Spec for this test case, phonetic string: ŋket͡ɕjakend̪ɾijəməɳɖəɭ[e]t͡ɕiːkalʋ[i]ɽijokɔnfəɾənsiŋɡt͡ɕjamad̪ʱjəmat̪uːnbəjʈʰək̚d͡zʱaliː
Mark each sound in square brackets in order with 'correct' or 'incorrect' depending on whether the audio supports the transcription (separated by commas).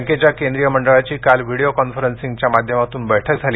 incorrect, correct